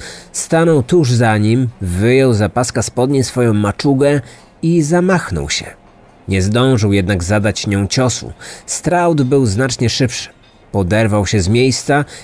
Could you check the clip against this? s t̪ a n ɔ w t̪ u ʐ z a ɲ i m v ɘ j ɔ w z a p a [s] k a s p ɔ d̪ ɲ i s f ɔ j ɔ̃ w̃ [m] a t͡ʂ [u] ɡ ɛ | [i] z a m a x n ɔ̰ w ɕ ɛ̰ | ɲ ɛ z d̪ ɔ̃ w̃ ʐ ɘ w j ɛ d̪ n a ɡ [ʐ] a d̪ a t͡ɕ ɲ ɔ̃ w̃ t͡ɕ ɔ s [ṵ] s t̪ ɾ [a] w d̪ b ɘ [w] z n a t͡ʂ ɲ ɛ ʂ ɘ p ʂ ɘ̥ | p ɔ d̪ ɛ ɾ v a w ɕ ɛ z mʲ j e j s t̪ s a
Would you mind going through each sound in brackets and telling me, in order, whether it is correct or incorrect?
correct, correct, correct, correct, incorrect: z, correct, correct, correct

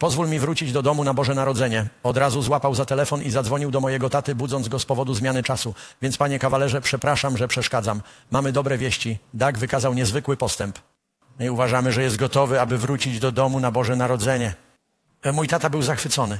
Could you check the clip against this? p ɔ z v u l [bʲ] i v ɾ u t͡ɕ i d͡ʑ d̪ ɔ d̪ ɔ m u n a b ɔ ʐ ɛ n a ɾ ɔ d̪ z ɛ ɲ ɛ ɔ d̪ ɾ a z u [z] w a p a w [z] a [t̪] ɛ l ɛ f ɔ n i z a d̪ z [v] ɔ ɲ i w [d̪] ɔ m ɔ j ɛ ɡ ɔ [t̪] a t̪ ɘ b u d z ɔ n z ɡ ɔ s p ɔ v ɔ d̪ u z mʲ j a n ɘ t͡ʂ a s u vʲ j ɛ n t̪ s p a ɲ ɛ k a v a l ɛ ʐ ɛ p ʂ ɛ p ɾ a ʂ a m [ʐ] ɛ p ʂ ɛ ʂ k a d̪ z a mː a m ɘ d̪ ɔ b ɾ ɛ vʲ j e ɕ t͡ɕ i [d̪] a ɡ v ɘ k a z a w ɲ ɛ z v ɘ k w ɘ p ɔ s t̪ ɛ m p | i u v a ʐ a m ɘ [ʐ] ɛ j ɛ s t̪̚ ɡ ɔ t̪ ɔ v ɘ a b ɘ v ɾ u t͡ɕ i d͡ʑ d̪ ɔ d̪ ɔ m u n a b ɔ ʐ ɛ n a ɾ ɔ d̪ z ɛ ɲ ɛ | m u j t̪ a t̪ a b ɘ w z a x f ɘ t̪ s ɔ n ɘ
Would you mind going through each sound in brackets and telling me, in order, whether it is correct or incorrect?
incorrect: mʲ, correct, correct, correct, correct, correct, correct, correct, correct, correct

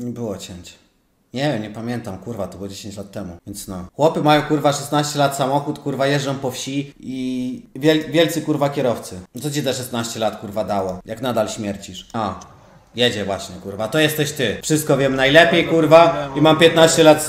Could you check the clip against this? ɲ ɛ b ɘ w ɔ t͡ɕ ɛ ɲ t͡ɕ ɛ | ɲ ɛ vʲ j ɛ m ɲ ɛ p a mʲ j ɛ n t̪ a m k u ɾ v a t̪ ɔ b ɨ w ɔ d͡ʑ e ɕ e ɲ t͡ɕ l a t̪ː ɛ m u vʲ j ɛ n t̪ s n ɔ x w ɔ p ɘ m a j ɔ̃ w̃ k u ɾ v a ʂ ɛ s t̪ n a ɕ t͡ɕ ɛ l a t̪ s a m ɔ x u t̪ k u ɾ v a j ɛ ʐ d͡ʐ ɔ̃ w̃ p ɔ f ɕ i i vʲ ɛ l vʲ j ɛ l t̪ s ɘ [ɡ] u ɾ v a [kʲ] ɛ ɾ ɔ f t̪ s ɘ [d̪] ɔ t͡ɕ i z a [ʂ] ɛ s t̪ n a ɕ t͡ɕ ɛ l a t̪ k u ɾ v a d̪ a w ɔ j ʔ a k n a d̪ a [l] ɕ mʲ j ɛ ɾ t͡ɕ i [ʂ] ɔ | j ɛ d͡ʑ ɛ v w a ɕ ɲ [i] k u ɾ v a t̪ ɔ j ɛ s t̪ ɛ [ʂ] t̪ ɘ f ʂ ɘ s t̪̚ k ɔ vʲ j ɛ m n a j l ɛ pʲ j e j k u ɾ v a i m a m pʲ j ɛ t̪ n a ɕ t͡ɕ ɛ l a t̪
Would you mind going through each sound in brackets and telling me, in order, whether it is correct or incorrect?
incorrect: k, correct, incorrect: t̪, correct, correct, correct, incorrect: ɛ, incorrect: ɕ

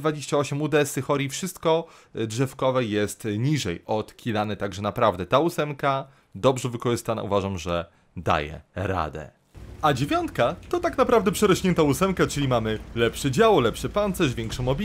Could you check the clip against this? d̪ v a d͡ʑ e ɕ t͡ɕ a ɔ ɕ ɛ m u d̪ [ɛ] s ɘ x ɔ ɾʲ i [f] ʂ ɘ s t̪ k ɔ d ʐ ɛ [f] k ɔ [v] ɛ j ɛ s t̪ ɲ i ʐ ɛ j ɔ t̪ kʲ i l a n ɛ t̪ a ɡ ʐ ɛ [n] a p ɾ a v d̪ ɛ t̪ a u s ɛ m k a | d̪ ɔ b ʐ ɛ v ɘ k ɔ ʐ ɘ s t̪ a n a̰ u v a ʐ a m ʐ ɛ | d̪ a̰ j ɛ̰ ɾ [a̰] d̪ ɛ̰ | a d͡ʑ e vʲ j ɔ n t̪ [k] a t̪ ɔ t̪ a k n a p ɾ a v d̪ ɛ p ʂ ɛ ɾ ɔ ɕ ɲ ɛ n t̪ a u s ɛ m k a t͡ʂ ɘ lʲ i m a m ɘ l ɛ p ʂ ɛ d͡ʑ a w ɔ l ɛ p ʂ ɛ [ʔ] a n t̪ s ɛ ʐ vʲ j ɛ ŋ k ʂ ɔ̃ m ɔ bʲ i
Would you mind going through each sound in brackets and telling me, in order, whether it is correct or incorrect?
correct, correct, correct, correct, correct, correct, correct, incorrect: p

